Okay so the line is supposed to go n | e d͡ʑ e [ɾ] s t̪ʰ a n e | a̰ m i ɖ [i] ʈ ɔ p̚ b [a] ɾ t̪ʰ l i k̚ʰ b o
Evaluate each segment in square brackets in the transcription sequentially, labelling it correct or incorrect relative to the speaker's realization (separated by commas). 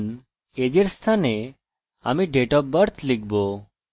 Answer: correct, incorrect, incorrect